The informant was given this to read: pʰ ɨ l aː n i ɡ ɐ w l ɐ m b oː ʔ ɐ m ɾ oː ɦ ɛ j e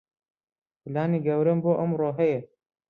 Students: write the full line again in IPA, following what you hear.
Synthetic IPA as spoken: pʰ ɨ l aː n i ɡ ɐ w ɾ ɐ m b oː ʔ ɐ m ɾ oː ɦ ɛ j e